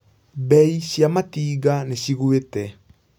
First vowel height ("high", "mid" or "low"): mid